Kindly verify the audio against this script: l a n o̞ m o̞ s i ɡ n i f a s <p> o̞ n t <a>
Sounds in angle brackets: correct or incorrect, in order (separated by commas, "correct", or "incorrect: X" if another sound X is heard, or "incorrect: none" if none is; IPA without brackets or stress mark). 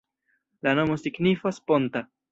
correct, correct